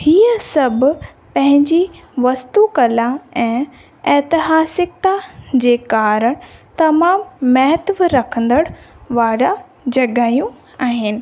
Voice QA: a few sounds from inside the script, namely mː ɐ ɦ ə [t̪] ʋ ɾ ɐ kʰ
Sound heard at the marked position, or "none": t̪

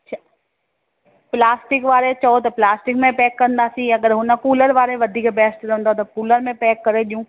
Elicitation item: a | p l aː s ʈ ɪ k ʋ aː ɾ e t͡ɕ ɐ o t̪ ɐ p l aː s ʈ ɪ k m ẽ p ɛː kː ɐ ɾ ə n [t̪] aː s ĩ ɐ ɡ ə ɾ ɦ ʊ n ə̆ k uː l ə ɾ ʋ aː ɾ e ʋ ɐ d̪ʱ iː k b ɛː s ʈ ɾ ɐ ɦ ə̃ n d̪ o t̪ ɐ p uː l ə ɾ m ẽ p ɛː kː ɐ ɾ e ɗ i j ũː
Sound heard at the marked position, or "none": d̪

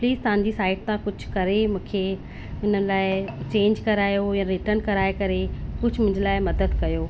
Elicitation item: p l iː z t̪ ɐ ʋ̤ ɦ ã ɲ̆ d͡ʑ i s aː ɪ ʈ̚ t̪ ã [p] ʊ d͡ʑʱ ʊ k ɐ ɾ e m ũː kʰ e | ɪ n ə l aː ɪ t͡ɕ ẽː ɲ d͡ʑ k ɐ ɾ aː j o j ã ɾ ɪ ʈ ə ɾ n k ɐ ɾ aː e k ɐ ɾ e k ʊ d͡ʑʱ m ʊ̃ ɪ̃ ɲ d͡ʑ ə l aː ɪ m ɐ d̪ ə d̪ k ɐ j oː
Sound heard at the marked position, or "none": k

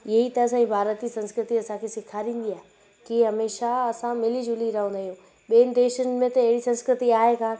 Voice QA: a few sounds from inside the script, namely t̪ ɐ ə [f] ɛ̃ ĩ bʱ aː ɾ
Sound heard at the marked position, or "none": s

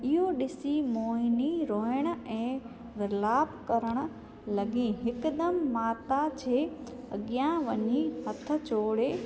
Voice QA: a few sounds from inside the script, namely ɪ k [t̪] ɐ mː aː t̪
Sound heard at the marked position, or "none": d̪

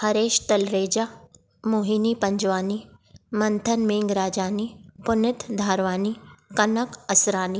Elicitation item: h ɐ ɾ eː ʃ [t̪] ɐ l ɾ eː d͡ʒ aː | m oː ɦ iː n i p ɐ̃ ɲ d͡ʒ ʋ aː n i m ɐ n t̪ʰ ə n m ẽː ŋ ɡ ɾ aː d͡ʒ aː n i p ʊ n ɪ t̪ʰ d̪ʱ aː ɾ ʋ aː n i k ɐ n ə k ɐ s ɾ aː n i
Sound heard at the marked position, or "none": t̪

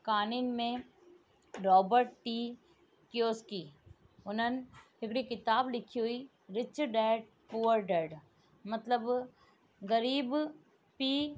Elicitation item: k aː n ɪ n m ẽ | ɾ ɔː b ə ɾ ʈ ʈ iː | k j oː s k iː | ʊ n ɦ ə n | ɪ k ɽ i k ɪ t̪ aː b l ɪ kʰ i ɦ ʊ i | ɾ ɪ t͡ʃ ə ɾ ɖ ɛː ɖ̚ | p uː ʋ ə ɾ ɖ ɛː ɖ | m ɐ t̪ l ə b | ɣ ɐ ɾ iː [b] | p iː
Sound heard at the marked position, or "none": b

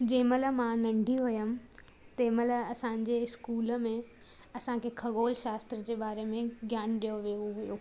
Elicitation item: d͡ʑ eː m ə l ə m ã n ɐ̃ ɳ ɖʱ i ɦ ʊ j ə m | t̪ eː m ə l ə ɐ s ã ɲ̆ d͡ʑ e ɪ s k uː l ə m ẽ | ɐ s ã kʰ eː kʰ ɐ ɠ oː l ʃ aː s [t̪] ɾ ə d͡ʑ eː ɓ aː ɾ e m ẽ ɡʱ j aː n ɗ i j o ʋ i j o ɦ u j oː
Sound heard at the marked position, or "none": t̪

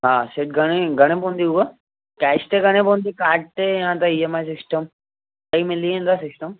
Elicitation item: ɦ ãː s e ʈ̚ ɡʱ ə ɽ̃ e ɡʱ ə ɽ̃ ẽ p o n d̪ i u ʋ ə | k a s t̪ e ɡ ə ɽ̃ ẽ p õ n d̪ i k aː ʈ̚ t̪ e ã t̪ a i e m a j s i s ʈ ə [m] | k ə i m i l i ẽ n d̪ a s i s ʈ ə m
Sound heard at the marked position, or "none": m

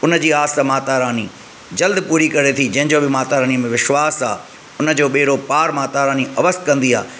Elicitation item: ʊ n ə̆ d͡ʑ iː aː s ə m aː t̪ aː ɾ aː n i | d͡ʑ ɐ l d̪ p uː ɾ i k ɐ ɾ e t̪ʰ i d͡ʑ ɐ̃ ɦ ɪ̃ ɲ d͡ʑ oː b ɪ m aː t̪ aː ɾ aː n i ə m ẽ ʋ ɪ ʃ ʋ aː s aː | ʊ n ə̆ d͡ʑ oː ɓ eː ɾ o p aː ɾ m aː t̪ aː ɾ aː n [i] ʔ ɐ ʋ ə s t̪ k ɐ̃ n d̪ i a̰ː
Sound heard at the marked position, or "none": i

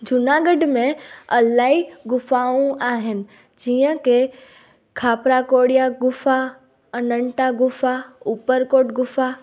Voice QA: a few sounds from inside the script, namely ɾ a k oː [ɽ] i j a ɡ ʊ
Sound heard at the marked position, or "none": ɽ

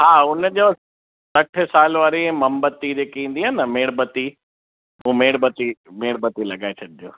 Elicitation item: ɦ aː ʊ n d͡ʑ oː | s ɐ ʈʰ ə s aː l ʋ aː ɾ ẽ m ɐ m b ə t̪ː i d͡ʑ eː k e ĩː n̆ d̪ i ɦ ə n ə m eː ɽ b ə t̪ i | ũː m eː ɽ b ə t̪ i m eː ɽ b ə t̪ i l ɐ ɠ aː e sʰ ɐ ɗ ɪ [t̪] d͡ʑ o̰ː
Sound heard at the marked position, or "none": none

